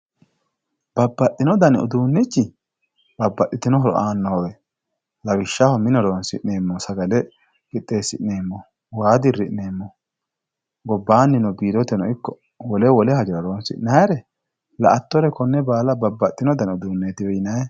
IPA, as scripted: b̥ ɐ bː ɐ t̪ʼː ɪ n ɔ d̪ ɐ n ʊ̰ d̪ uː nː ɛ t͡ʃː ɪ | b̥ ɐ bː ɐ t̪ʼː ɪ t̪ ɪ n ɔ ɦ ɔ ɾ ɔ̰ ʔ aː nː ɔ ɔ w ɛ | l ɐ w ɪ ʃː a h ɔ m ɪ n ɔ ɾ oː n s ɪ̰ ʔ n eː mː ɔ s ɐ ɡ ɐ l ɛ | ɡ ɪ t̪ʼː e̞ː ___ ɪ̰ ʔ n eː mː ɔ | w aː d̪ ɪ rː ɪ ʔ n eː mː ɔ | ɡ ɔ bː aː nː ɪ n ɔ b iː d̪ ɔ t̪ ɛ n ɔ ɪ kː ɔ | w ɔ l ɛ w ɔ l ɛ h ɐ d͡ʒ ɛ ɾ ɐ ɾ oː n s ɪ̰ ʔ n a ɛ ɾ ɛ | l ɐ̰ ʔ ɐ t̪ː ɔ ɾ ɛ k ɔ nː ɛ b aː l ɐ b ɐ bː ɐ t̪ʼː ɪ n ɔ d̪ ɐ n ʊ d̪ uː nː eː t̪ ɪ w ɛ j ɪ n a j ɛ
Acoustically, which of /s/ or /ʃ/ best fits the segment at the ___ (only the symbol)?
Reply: s